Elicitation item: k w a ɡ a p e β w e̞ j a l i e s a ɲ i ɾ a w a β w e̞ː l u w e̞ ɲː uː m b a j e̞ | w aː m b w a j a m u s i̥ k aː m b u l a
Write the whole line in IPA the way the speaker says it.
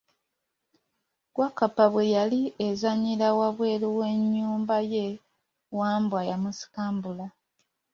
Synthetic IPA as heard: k w a k a p a β w e̞ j a l i e z a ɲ i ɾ a w a β w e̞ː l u w e̞ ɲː uː m b a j e̞ | w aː m b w a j a m u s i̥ k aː m b u l a